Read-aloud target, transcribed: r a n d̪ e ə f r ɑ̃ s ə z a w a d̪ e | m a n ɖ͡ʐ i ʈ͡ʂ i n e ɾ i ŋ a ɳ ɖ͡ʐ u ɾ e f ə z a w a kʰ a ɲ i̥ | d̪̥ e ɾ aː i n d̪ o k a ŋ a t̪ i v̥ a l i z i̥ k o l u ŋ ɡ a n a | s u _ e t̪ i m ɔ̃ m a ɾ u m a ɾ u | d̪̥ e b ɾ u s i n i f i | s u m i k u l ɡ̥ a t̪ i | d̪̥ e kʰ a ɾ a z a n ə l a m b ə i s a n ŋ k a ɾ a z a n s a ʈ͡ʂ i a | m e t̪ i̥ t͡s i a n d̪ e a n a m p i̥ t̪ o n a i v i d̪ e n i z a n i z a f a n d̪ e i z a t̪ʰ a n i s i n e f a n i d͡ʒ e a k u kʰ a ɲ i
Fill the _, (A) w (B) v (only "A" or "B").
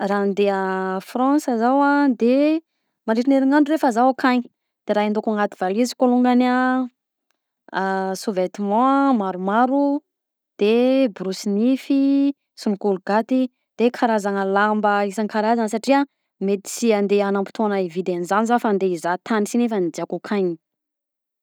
B